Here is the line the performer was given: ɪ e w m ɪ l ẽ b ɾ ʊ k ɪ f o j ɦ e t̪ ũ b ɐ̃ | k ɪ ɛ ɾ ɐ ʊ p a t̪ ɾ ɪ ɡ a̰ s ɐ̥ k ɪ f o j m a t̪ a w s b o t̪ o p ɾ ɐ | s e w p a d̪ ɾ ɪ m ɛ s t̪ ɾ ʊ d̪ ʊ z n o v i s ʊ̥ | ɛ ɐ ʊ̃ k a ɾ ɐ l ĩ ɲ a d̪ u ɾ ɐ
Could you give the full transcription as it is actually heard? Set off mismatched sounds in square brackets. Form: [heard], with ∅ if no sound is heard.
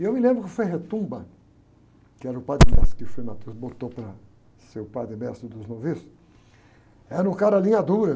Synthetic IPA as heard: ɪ e w m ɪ l ẽ b ɾ ʊ k ɪ f o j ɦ e t̪ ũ b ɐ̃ | k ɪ ɛ ɾ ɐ ʊ p a [d̪] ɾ ɪ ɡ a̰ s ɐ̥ k ɪ f o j m a t̪ [e] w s b o t̪ o p ɾ ɐ | s e w p a d̪ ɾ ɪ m ɛ s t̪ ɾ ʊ d̪ ʊ z n o v i s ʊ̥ | ɛ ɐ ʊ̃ k a ɾ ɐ l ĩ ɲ a d̪ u ɾ ɐ